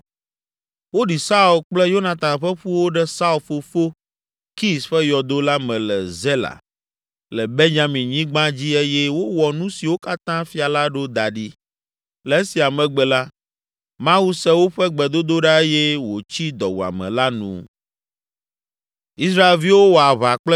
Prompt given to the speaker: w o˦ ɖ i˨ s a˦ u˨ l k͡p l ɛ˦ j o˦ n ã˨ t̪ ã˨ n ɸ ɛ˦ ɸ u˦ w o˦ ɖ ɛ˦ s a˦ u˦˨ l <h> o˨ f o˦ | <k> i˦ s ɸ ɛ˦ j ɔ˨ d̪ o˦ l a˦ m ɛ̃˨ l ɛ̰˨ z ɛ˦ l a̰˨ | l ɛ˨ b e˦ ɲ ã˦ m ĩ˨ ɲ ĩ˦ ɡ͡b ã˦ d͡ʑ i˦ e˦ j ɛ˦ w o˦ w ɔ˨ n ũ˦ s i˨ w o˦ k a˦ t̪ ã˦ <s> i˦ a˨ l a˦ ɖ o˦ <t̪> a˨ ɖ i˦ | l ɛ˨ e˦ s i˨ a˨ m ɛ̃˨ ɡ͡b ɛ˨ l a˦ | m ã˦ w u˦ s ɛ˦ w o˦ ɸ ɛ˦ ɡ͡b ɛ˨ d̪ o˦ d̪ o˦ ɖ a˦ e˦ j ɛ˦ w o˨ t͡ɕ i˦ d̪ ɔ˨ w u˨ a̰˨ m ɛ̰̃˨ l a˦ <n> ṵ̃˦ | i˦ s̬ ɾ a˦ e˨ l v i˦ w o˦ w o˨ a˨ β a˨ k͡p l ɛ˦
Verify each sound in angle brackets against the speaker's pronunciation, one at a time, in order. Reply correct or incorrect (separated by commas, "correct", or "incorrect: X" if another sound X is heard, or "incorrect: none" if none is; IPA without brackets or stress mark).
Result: incorrect: f, correct, incorrect: f, incorrect: d̪, correct